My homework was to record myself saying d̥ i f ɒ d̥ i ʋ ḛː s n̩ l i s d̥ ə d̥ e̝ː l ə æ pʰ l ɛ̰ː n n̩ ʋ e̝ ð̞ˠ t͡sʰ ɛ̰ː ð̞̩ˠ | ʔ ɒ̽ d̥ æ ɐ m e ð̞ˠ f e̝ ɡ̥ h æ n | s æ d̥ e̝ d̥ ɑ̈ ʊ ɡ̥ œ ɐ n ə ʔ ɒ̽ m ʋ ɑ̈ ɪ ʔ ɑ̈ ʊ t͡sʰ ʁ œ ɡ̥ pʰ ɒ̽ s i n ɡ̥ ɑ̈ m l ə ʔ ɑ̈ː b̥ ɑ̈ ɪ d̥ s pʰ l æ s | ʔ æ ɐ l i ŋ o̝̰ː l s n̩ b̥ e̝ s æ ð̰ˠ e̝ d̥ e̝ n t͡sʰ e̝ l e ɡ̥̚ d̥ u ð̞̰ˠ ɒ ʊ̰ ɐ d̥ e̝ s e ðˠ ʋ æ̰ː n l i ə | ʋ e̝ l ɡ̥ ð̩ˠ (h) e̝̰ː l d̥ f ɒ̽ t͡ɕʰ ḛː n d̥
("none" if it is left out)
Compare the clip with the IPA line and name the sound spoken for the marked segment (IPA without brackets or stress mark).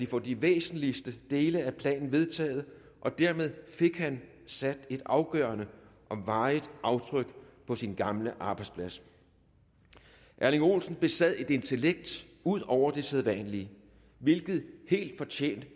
h